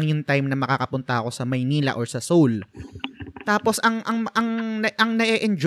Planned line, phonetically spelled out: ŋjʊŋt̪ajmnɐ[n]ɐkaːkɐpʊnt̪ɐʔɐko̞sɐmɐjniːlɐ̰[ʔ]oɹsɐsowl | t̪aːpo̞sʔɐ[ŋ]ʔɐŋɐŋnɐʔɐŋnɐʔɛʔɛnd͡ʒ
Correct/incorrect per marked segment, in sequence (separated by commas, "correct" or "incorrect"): incorrect, correct, correct